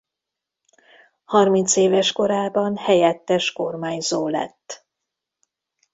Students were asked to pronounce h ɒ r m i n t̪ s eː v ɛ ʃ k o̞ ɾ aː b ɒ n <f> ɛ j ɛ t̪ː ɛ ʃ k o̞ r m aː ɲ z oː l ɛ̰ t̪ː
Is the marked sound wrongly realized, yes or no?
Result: yes